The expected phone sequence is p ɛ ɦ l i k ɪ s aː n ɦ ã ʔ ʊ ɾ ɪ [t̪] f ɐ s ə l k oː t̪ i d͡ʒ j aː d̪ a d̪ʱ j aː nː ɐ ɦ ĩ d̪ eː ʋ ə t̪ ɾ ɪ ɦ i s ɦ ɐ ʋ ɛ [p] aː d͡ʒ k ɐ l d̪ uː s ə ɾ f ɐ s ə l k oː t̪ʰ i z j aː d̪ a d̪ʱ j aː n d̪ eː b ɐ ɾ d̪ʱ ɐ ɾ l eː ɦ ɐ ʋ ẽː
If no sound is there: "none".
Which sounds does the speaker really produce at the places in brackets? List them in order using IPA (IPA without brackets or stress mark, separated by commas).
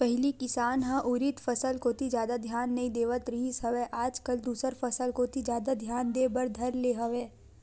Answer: t̪, ʔ